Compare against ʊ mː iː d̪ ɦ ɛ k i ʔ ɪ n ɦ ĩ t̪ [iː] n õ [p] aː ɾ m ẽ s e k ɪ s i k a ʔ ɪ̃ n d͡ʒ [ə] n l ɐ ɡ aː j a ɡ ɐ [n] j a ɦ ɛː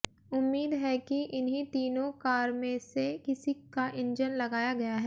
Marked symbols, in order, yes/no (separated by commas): yes, no, yes, no